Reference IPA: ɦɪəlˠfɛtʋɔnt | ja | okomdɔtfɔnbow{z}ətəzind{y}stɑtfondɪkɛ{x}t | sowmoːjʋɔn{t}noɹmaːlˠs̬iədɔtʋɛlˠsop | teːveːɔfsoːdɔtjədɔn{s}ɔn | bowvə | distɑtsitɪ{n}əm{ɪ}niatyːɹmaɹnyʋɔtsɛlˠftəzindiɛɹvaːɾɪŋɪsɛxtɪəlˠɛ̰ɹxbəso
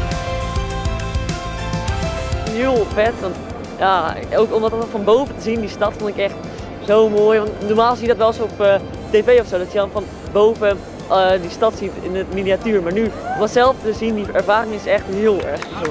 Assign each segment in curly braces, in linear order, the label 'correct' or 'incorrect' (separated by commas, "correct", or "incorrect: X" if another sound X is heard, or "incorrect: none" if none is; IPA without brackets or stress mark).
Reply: incorrect: v, incorrect: i, correct, correct, incorrect: f, correct, incorrect: i